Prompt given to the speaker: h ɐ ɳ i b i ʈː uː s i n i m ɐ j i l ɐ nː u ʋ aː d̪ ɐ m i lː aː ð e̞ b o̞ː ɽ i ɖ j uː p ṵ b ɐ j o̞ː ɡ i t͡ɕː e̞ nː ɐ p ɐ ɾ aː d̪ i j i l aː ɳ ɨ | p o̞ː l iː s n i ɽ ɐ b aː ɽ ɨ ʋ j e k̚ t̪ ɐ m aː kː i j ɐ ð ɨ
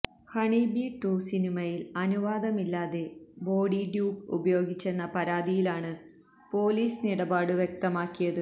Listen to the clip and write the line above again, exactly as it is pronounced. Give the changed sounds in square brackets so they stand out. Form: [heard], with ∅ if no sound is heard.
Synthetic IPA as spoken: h ɐ ɳ i b i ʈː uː s i n i m ɐ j i l ɐ [n] u ʋ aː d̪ ɐ m i lː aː ð e̞ b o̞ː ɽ i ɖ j uː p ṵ b ɐ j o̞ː ɡ i t͡ɕː e̞ nː ɐ p ɐ ɾ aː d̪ i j i l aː ɳ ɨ | p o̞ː l iː s n i ɽ ɐ b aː ɽ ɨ ʋ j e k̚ t̪ ɐ m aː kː i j ɐ ð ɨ